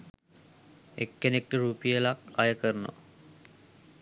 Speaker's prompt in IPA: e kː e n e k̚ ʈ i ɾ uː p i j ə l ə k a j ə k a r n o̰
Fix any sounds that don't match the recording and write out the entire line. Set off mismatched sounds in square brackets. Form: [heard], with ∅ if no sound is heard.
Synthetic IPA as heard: e kː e n e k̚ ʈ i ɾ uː p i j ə l [a] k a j ə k [ə] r n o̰